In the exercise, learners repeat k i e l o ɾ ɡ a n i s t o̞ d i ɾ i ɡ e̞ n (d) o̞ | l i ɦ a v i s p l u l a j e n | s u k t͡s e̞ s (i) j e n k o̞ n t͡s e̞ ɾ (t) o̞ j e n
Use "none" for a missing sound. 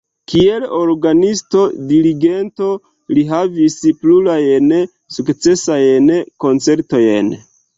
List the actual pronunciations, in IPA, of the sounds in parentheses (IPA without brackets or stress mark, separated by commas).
t, a, t